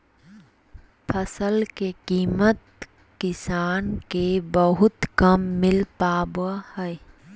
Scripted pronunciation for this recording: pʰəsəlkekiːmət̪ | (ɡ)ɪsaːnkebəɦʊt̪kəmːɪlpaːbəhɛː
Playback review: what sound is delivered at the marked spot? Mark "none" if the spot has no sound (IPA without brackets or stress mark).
k